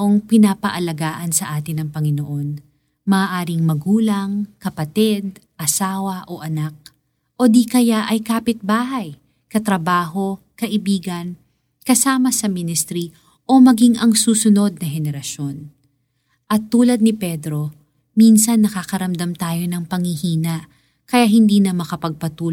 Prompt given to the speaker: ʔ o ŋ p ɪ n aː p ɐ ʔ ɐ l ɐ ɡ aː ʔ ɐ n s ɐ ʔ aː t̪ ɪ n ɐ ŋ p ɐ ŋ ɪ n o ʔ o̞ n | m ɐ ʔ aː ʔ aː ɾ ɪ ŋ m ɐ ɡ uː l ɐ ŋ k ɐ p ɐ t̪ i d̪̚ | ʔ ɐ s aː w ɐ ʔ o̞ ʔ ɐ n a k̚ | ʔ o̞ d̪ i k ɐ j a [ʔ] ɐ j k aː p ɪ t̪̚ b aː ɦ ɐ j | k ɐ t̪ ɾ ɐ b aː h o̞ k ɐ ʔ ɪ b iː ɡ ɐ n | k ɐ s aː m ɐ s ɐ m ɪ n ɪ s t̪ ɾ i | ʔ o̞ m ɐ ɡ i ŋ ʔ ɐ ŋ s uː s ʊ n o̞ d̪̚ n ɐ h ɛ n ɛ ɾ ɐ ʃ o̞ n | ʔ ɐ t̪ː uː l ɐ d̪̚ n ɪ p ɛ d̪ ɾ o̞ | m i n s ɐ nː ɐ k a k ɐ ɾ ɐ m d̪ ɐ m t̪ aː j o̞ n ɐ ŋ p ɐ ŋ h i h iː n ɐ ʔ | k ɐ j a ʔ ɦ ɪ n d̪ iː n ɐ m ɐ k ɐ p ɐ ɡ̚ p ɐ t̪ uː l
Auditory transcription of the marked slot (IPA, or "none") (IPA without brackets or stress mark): ʔ